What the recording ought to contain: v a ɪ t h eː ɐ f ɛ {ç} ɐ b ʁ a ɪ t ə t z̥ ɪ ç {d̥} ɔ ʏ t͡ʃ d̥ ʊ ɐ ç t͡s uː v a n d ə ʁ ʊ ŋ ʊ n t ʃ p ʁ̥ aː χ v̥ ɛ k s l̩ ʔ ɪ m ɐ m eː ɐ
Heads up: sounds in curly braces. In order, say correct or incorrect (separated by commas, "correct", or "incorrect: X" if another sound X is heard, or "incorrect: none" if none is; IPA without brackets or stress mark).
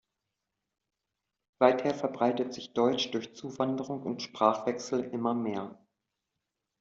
incorrect: none, correct